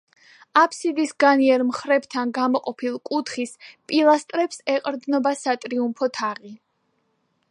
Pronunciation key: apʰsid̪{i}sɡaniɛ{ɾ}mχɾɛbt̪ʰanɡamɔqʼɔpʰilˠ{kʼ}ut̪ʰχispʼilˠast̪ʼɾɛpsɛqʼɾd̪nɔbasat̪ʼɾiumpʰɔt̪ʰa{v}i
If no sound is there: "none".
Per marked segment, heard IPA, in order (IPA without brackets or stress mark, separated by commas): i, ɾ, kʼ, ʁ